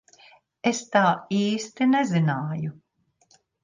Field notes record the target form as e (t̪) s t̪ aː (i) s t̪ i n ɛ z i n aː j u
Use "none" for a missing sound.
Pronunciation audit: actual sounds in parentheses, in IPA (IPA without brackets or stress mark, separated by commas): none, iː